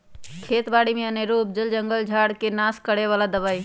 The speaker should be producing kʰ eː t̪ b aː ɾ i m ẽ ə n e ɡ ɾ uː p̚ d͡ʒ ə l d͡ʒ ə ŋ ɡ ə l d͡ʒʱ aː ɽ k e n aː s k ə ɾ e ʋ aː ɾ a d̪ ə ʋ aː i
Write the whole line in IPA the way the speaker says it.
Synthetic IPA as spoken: kʰ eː t̪ b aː ɽ i m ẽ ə n e ɾ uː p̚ d͡ʒ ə l d͡ʒ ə ŋ ɡ ə l d͡ʒʱ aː ɽ k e n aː s k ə ɽ e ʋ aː l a d̪ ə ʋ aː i